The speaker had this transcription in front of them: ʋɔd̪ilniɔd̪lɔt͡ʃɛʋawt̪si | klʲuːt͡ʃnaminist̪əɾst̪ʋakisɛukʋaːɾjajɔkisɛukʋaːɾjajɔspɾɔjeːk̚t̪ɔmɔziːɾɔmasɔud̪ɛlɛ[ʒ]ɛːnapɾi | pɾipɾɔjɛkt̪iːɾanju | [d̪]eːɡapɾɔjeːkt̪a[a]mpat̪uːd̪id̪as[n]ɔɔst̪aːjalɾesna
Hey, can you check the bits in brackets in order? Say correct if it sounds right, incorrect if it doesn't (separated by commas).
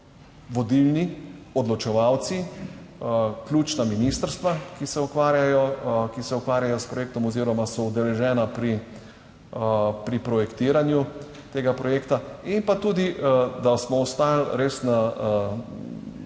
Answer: correct, incorrect, incorrect, incorrect